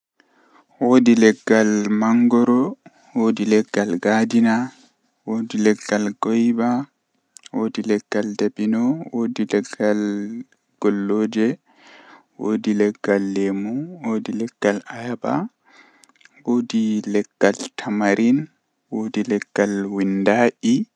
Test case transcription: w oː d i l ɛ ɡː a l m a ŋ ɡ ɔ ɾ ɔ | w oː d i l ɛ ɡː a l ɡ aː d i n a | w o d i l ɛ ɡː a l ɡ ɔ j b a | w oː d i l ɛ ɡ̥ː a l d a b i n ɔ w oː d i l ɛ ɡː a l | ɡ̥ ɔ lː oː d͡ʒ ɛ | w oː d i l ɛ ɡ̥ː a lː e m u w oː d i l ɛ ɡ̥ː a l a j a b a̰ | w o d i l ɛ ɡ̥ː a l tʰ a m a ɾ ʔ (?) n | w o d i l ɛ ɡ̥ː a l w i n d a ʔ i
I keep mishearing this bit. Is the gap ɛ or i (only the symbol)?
i